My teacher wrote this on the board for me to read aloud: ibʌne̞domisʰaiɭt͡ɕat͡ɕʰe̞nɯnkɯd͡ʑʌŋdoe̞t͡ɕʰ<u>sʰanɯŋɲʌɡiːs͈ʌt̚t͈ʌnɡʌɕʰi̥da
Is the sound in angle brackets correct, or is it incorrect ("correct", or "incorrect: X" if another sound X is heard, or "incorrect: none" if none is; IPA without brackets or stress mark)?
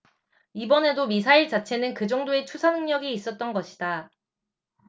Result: correct